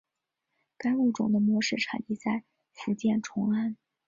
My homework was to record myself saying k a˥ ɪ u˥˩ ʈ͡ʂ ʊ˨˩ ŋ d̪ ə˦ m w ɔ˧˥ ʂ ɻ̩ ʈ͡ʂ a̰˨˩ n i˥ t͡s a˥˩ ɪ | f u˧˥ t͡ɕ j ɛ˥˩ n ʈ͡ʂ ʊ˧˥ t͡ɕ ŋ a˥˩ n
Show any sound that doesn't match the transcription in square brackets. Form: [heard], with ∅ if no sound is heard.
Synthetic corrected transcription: k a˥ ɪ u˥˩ ʈ͡ʂ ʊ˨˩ ŋ d̪ ə˦ m w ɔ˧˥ ʂ ɻ̩ [ʈ͡ʂʰ] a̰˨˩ n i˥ t͡s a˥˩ ɪ | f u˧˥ t͡ɕ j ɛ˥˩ n [ʈ͡ʂʰ] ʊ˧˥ [∅] ŋ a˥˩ n